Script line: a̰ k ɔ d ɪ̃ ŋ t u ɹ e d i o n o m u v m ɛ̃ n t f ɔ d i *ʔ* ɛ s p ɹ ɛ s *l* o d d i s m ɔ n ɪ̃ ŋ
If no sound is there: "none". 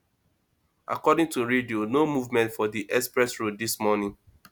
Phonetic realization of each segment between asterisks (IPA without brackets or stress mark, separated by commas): ʔ, ɹ